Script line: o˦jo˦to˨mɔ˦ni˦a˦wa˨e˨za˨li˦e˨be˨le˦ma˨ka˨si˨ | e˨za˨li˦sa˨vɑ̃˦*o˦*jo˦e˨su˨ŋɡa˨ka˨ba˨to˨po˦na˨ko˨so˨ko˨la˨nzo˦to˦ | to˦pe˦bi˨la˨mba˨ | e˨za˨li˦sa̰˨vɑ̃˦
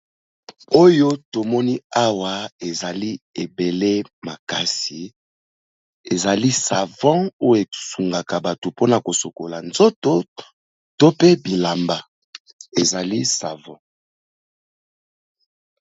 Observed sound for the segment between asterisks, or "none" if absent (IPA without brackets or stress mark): o˦